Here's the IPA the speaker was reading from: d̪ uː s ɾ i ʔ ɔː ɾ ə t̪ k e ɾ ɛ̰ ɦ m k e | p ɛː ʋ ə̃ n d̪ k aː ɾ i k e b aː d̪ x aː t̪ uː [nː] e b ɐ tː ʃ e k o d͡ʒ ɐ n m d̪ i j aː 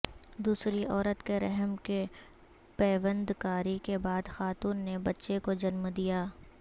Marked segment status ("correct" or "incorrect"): correct